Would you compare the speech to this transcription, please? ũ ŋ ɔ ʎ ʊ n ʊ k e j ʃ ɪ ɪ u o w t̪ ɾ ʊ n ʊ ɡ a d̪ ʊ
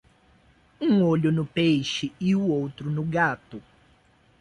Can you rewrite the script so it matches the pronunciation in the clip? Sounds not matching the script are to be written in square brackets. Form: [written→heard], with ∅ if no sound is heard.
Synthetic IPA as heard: ũ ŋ [ɔ→o] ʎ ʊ n ʊ [k→p] e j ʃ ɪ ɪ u o w t̪ ɾ ʊ n ʊ ɡ a [d̪→t̪] ʊ

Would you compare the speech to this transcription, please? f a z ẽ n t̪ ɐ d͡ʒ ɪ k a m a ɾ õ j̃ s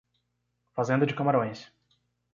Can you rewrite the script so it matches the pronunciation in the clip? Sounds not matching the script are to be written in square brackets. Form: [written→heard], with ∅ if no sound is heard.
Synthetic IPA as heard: f a z ẽ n [t̪→d̪] ɐ d͡ʒ ɪ k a m a ɾ õ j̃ s

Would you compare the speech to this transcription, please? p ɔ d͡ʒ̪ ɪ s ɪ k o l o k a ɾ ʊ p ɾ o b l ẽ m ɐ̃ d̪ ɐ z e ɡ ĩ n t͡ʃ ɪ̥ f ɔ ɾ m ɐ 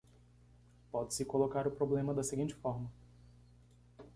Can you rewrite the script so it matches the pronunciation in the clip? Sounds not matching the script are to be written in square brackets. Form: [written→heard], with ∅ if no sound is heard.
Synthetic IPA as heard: p ɔ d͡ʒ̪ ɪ s ɪ k o l o k a ɾ ʊ p ɾ o b l ẽ m [ɐ̃→ɐ] d̪ ɐ [z→s] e ɡ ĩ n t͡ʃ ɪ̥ f ɔ ɾ m ɐ

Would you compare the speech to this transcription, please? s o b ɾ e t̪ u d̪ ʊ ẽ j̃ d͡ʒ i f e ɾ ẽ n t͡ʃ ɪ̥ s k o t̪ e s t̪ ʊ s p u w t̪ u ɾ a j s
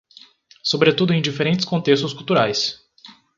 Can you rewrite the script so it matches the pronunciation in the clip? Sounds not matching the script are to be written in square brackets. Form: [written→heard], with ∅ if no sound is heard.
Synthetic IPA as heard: s o b ɾ e t̪ u d̪ ʊ ẽ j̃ d͡ʒ i f e ɾ ẽ n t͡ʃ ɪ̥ s k [o→õ] t̪ e s t̪ ʊ s [p→k] u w t̪ u ɾ a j s

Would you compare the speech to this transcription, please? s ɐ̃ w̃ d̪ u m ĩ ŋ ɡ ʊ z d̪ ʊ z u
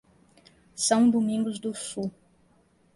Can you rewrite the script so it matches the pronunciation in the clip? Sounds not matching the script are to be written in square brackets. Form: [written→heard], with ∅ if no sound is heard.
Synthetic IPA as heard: s ɐ̃ w̃ d̪ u m ĩ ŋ ɡ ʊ z d̪ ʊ [z→s] u

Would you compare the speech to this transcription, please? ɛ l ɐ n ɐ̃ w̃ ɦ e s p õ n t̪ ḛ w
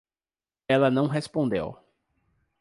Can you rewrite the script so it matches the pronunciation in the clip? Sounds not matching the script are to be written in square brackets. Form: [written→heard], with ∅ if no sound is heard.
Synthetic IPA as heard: ɛ l ɐ n ɐ̃ w̃ ɦ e s p õ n [t̪→d̪] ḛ w

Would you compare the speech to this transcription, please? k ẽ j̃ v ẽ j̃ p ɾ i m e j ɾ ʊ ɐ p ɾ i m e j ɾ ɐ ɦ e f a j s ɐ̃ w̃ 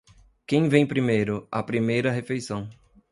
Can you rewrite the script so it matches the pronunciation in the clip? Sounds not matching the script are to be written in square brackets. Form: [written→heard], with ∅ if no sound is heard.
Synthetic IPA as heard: k ẽ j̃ v ẽ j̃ p ɾ i m e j ɾ ʊ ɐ p ɾ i m e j ɾ ɐ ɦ e f [a→e] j s ɐ̃ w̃

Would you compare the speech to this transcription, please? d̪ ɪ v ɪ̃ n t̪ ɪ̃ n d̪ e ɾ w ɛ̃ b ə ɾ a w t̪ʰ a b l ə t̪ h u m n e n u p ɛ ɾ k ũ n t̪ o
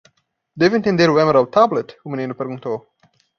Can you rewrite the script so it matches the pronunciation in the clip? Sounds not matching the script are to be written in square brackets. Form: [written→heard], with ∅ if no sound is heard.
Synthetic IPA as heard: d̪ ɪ v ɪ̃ n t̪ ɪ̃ n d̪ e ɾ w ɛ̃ [b→m] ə ɾ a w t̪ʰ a b l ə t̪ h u m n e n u p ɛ ɾ [k→ɡ] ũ n t̪ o

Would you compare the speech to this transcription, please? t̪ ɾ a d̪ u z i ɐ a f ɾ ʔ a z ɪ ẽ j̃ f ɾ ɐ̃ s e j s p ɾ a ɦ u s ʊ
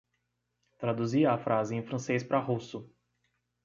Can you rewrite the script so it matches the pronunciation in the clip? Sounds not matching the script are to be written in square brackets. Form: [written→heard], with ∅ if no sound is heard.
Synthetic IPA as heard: t̪ ɾ a d̪ u z i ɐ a f ɾ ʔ a z ɪ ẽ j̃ f ɾ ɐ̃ s e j s p ɾ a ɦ u s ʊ

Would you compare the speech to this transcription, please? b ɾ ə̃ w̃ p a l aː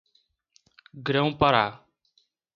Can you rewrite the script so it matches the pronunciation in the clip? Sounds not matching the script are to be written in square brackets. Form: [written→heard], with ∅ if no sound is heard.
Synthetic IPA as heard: [b→ɡ] ɾ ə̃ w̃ p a [l→ɾ] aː

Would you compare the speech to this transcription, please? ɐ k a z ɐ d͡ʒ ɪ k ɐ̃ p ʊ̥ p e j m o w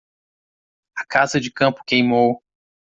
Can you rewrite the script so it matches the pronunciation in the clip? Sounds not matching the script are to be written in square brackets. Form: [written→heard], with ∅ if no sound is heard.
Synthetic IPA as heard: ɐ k a z ɐ d͡ʒ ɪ k ɐ̃ p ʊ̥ [p→k] e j m o w

